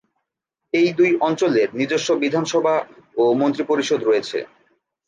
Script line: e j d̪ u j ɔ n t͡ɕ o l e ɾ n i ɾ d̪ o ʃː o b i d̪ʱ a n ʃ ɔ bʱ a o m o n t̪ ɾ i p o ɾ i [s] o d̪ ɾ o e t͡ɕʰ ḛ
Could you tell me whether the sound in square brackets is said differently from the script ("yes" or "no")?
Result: yes